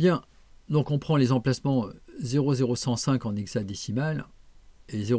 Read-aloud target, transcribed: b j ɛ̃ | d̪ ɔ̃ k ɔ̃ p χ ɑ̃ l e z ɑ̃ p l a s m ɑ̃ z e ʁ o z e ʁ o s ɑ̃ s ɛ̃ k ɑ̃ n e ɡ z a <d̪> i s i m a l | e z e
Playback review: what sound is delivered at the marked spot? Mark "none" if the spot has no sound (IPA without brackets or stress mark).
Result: d̪